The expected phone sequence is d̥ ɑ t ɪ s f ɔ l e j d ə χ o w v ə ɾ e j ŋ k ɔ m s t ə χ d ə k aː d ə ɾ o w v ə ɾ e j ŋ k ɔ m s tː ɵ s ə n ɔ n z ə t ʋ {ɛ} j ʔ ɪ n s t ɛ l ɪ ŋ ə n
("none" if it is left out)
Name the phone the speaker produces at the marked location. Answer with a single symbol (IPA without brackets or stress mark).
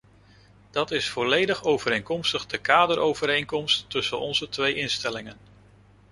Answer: e